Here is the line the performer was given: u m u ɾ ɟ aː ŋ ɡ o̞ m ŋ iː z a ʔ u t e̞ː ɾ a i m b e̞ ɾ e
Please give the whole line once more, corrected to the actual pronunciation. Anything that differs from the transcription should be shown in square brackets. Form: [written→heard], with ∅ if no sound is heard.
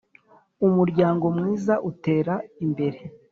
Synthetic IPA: u m u ɾ ɟ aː ŋ ɡ o̞ m ŋ iː z a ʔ u t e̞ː ɾ a i m b e̞ ɾ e